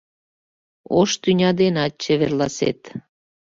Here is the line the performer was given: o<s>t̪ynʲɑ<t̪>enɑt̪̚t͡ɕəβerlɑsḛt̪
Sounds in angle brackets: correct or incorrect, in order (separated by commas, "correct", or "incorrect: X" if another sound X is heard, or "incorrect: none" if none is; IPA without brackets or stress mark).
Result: incorrect: ʃ, incorrect: d̪